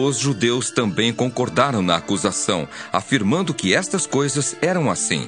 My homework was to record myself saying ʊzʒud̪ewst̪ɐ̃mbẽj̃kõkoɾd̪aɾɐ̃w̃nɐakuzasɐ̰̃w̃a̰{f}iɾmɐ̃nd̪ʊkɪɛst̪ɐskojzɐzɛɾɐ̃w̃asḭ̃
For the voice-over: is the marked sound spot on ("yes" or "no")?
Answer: yes